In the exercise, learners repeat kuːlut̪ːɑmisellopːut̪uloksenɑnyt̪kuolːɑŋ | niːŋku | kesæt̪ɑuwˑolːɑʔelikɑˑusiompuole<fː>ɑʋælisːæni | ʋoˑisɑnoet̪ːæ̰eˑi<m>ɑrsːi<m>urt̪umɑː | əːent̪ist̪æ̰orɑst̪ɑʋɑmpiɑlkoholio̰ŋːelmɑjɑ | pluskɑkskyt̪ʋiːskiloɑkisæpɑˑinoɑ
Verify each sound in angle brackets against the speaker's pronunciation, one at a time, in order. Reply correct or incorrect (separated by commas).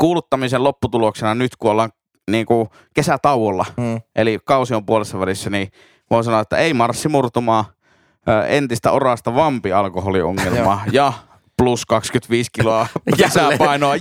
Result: incorrect, correct, correct